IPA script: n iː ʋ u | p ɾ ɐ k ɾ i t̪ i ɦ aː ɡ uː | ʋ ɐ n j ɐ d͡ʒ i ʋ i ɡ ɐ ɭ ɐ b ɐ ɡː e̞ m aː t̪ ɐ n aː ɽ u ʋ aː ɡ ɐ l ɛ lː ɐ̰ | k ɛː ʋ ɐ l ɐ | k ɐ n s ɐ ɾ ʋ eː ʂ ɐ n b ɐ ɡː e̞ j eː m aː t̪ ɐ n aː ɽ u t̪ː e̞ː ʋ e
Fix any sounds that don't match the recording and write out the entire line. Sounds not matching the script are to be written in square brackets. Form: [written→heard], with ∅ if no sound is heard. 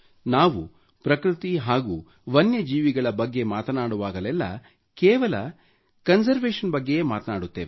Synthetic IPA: n [iː→aː] ʋ u | p ɾ ɐ k ɾ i t̪ i ɦ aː ɡ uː | ʋ ɐ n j ɐ d͡ʒ [i→iː] ʋ i ɡ ɐ ɭ ɐ b ɐ ɡː e̞ m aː t̪ ɐ n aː ɽ u ʋ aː ɡ ɐ l ɛ lː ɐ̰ | k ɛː ʋ ɐ l ɐ | k ɐ n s ɐ ɾ ʋ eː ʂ ɐ n b ɐ ɡː e̞ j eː m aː t̪ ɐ n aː ɽ u t̪ː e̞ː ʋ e

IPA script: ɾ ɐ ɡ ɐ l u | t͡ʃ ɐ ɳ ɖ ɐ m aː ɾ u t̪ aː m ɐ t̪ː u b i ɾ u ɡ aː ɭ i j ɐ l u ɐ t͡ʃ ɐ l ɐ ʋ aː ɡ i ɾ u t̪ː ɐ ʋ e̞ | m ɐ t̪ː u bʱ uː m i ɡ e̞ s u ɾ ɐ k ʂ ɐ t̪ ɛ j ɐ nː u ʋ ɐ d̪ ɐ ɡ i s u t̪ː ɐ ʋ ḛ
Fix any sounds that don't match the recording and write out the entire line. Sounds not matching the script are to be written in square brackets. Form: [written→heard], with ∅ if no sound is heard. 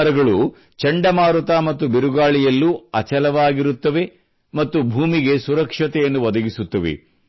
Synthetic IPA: ɾ ɐ ɡ ɐ [l→ɭ] u | t͡ʃ ɐ ɳ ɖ ɐ m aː ɾ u t̪ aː m ɐ t̪ː u b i ɾ u ɡ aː ɭ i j ɐ [l→lː] u ɐ t͡ʃ ɐ l ɐ ʋ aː ɡ i ɾ u t̪ː ɐ ʋ e̞ | m ɐ t̪ː u bʱ uː m i ɡ e̞ s u ɾ ɐ k ʂ ɐ t̪ ɛ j ɐ nː u ʋ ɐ d̪ ɐ ɡ i s u t̪ː ɐ ʋ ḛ

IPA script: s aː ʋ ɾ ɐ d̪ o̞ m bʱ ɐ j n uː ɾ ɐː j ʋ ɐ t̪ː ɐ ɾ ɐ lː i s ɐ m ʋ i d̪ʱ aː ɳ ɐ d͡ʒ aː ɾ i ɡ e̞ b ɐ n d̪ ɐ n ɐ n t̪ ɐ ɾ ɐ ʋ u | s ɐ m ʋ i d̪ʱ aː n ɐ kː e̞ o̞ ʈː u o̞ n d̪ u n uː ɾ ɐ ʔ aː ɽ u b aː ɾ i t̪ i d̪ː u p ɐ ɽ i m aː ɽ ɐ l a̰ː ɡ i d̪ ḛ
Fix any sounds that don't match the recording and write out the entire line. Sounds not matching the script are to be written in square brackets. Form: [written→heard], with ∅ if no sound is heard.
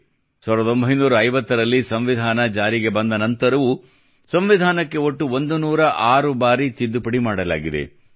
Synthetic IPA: s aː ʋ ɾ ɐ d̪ o̞ m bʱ ɐ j n uː ɾ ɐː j ʋ ɐ t̪ː ɐ ɾ ɐ lː i s ɐ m ʋ i d̪ʱ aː [ɳ→n] ɐ d͡ʒ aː ɾ i ɡ e̞ b ɐ n d̪ ɐ n ɐ n t̪ ɐ ɾ ɐ ʋ u | s ɐ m ʋ i d̪ʱ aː n ɐ kː e̞ o̞ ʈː u o̞ n d̪ u n uː ɾ ɐ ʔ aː [ɽ→ɾ] u b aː ɾ i t̪ i d̪ː u p ɐ ɽ i m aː ɽ ɐ l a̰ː ɡ i d̪ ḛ

